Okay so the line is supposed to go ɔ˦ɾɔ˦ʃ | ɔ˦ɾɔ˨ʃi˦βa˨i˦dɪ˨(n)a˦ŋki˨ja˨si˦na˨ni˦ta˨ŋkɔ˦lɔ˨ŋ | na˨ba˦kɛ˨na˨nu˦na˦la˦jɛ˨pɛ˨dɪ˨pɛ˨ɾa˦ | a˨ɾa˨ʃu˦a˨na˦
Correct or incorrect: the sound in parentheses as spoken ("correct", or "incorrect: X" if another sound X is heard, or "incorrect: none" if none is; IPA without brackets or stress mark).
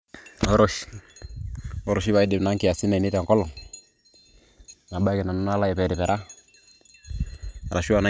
correct